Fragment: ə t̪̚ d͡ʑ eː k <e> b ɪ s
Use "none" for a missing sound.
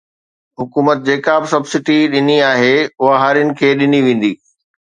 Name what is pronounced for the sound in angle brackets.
a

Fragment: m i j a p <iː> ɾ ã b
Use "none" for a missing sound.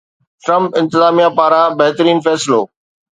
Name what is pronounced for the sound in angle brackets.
aː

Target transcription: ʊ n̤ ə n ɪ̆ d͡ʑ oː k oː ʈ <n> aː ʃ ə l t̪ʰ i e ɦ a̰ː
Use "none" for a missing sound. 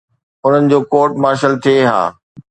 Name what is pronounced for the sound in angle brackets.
m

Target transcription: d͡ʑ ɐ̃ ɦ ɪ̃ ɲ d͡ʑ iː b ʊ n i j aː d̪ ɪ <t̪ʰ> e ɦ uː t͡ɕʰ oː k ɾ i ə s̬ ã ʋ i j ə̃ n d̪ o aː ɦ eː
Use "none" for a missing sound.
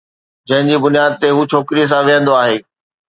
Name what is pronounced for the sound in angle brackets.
t̪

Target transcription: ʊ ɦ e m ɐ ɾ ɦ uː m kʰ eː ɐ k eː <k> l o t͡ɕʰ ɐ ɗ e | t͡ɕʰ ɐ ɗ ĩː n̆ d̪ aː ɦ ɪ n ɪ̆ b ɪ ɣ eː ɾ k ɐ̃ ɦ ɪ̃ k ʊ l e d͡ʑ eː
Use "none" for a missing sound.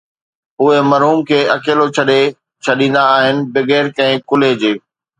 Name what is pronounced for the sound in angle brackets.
none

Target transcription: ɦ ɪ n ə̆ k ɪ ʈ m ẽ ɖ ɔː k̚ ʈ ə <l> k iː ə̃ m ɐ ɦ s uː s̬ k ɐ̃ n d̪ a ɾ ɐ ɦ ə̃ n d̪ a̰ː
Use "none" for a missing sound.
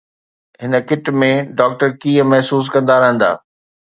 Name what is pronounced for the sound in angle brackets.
ɾ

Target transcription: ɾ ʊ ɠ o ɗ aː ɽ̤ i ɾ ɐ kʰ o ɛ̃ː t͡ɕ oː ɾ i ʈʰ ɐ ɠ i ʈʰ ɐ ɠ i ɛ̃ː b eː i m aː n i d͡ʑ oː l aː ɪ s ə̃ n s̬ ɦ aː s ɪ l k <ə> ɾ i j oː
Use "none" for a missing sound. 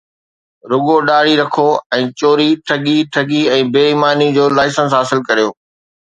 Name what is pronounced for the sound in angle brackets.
ɐ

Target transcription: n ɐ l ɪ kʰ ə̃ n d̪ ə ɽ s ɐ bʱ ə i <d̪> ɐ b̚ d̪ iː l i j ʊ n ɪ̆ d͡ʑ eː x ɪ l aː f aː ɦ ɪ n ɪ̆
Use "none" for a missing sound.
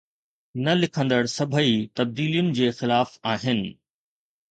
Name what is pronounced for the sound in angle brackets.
t̪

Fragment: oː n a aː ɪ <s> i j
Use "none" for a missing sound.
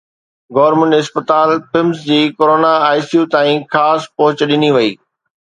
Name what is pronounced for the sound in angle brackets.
s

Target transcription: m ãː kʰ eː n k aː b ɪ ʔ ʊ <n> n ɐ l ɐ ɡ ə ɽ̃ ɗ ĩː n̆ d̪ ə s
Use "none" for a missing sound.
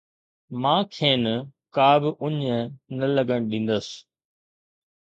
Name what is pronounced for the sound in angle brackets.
ɲ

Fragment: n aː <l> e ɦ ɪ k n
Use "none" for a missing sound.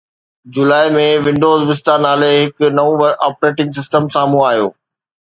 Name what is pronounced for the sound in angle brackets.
l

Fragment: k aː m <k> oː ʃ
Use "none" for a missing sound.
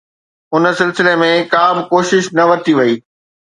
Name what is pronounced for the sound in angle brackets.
k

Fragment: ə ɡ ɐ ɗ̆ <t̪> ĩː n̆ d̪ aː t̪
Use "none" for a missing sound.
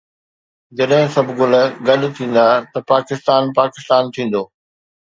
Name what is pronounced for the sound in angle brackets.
t̪ʰ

